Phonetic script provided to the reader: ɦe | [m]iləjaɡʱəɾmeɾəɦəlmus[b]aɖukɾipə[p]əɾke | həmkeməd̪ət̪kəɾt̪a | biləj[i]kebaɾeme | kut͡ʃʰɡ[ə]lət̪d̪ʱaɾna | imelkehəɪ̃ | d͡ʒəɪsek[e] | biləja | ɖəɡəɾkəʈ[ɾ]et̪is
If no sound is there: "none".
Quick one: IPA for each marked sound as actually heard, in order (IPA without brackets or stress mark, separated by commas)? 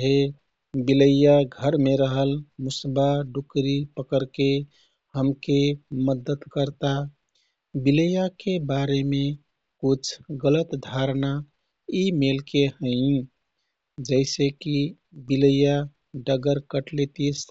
b, b, k, a, ə, i, l